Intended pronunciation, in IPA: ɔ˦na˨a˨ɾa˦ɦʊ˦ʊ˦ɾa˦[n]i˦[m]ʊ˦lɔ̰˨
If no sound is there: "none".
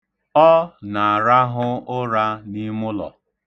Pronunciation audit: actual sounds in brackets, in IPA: n, m

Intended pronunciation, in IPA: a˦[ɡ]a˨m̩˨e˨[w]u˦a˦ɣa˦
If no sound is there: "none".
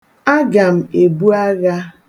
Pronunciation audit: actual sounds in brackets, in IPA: ɡ, b

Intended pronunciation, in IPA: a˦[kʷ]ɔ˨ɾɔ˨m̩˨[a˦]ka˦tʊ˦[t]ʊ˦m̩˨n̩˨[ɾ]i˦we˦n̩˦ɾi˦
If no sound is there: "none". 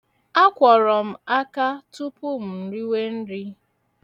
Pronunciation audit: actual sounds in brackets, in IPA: kʷ, a˦, p, ɾ

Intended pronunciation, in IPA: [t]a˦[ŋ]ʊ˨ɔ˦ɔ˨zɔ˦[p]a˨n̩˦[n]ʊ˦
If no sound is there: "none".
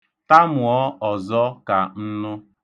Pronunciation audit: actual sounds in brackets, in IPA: t, m, k, n

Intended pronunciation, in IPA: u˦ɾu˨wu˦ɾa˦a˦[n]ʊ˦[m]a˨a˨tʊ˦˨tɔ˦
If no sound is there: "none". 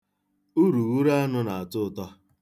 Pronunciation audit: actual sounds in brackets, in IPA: n, n

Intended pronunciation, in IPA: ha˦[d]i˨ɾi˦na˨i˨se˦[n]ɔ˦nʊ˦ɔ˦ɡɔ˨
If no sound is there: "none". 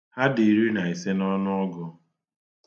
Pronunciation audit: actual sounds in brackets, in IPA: d, n

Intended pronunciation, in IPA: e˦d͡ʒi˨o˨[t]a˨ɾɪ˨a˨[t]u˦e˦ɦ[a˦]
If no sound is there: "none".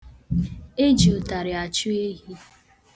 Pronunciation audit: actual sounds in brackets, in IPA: t, t͡ʃ, i˦

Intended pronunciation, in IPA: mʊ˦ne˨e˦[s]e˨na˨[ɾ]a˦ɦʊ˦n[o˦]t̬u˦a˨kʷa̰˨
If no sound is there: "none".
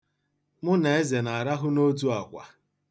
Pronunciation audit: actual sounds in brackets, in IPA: z, ɾ, o˦

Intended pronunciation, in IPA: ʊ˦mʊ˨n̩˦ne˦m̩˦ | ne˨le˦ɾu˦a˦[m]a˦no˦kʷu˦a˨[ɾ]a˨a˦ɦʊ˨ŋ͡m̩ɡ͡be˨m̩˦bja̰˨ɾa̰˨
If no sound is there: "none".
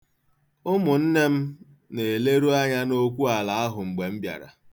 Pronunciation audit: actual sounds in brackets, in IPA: ɲ, l

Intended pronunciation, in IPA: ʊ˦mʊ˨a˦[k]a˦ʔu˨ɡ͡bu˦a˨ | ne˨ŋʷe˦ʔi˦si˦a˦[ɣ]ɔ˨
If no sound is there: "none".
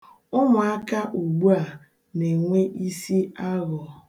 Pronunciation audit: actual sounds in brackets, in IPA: k, ɣ

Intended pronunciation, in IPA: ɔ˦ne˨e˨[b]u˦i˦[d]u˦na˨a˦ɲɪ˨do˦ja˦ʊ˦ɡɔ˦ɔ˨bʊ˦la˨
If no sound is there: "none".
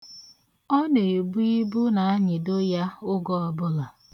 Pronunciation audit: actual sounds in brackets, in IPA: b, b

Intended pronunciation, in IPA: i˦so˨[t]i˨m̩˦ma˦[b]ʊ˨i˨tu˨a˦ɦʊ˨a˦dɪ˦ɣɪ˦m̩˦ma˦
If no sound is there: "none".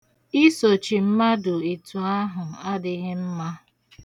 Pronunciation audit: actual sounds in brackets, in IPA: t͡ʃ, d

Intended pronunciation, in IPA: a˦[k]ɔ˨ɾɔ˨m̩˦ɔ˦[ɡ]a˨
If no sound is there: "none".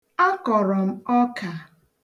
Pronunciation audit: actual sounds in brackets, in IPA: k, k

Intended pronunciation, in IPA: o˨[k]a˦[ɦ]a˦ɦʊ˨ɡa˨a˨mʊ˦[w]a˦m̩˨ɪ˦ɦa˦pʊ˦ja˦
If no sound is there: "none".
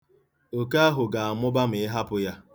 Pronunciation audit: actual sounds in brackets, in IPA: k, none, b

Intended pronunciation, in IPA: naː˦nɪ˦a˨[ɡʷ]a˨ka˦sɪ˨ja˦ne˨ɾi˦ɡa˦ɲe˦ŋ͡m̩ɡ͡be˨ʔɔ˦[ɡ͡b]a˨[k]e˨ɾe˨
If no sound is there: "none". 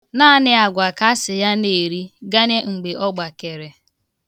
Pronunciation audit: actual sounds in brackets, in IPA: ɡʷ, ɡ͡b, k

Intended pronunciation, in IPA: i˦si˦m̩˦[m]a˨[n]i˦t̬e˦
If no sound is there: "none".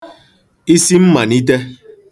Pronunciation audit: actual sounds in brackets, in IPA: m, n

